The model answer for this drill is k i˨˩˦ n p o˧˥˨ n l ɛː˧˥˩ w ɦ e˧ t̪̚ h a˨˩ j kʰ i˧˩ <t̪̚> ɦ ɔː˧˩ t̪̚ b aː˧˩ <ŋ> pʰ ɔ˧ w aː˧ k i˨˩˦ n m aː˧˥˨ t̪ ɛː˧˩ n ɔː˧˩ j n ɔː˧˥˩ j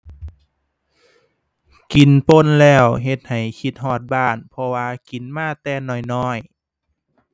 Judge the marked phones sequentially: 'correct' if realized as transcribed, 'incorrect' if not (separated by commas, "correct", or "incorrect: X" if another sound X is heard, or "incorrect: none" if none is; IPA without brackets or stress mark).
correct, incorrect: n